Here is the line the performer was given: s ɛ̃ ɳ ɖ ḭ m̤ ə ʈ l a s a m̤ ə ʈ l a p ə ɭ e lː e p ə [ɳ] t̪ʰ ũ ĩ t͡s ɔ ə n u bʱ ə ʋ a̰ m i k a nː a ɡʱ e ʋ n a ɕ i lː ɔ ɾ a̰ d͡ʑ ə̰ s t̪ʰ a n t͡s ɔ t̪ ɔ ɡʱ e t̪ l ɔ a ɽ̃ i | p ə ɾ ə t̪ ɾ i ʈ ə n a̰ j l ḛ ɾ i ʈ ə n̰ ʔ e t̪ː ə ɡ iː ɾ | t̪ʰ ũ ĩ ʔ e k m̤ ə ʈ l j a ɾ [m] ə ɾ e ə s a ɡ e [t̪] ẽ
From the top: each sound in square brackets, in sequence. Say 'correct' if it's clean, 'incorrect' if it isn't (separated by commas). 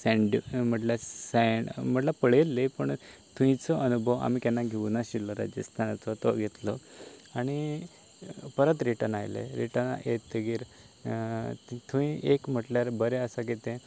correct, incorrect, correct